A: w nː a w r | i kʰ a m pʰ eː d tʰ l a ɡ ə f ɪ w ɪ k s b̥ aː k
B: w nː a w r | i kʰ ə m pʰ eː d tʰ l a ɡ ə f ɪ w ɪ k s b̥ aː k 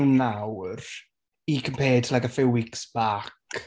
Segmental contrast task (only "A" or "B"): B